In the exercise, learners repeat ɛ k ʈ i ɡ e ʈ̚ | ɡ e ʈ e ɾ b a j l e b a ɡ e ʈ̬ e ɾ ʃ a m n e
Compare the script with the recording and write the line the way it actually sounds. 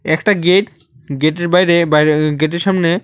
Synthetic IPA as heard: ɛ k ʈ a ɡ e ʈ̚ | ɡ e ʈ e ɾ b a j ɾ e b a ɡ e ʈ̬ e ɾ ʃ a m n e